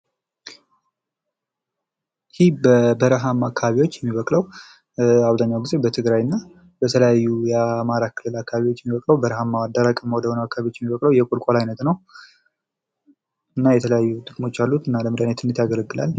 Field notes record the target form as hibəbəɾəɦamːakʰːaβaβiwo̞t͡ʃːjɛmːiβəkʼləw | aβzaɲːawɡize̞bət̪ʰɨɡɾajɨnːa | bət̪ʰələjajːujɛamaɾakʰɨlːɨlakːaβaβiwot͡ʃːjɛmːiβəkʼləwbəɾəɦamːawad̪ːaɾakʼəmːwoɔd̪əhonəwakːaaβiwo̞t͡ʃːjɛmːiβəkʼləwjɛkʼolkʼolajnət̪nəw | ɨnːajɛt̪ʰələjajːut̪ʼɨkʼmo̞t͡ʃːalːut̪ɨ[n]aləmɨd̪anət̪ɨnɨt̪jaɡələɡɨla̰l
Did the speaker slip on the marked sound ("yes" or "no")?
yes